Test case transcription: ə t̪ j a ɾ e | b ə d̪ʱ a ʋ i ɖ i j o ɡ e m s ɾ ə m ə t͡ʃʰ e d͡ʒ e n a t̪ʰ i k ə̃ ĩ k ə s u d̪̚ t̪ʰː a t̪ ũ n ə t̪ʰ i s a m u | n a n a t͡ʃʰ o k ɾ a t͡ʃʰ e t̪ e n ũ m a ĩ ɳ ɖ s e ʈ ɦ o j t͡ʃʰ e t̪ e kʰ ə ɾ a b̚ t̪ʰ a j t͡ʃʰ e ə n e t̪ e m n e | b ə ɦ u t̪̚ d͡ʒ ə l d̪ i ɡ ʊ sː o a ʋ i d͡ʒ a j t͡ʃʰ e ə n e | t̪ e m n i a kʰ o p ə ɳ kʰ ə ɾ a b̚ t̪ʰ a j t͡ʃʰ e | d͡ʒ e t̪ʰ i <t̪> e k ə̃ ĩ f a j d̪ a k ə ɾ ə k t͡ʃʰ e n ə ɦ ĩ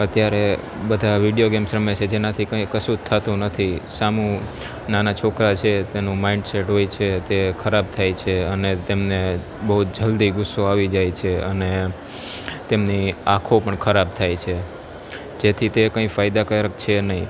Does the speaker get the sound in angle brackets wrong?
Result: no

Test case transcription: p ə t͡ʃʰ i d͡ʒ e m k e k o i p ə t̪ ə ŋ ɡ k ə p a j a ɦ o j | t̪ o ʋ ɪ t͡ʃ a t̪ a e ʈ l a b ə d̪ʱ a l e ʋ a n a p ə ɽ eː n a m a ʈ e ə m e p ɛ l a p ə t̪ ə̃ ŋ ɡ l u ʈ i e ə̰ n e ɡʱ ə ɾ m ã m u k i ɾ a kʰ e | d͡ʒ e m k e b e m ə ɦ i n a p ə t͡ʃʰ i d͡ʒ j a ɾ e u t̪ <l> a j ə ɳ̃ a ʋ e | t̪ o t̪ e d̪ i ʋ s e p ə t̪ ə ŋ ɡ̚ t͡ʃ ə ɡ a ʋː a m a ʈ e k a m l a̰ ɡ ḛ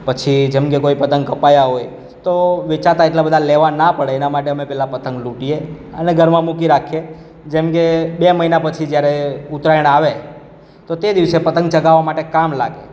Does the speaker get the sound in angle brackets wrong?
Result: yes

